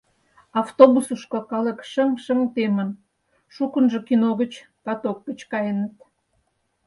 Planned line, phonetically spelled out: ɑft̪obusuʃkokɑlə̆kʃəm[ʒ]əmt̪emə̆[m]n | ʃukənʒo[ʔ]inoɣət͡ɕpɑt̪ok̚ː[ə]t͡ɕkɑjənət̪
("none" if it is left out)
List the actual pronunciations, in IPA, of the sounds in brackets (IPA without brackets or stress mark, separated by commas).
ʃ, none, k, ə